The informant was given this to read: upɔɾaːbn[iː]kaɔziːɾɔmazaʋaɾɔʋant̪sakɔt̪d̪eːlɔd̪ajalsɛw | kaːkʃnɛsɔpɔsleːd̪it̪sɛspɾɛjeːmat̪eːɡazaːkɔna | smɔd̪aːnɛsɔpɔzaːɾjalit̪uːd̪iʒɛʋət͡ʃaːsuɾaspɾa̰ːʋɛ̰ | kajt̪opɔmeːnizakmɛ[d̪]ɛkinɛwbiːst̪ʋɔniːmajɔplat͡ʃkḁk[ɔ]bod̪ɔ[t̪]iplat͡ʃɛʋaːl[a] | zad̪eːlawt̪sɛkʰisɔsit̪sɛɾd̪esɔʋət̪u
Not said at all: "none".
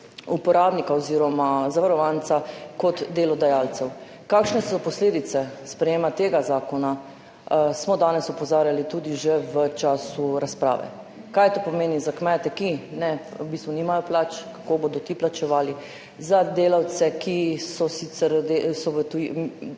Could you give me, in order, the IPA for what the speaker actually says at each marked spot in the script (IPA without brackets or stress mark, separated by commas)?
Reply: i, t̪, o, t̪, i